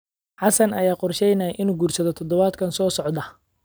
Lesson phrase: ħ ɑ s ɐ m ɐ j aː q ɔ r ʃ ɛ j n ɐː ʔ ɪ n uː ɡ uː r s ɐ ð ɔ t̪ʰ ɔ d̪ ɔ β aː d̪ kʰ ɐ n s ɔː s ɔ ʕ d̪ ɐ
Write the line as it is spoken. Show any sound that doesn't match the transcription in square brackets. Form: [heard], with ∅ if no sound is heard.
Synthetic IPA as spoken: ħ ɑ s ɐ [n] ɐ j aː q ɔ r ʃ ɛ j n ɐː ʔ ɪ n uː ɡ uː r s ɐ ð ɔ t̪ʰ ɔ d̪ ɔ β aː d̪ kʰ ɐ n s ɔː s ɔ ʕ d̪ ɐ

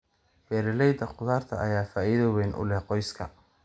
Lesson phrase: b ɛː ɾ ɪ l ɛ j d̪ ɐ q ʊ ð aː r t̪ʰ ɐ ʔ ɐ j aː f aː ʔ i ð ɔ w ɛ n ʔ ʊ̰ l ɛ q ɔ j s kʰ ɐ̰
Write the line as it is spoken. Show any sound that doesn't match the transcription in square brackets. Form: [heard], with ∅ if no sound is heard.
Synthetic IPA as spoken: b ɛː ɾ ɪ l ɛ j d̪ ɐ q ʊ ð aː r t̪ʰ ɐ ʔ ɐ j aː f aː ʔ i ð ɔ w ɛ n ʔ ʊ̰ l ɛ q ɔ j s kʰ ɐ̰

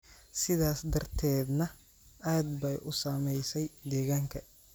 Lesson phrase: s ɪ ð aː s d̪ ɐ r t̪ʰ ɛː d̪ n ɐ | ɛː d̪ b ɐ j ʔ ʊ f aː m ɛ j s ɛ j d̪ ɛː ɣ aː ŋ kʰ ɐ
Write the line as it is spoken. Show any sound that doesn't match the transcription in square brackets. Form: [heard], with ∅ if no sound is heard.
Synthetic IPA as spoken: s ɪ ð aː s d̪ ɐ r t̪ʰ ɛː d̪ n ɐ | [aː] d̪ b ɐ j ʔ ʊ [s] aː m ɛ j s ɛ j d̪ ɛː ɣ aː ŋ kʰ ɐ

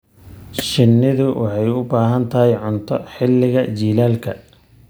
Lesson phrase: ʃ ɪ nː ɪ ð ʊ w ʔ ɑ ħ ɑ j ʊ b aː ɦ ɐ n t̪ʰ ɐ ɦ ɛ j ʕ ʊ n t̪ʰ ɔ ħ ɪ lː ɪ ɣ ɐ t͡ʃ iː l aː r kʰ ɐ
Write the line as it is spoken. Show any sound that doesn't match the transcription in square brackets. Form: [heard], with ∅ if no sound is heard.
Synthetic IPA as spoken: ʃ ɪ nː ɪ ð ʊ w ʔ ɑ ħ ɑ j ʊ b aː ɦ ɐ n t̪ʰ ɐ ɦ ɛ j ʕ ʊ n t̪ʰ ɔ ħ ɪ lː ɪ ɣ ɐ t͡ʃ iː l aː [l] kʰ ɐ

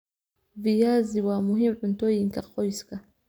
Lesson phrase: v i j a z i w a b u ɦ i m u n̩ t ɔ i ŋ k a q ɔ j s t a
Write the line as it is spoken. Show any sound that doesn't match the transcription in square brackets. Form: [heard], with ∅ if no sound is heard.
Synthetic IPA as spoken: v i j a z i w a [m] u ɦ i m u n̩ t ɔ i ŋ k a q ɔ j s [k] a

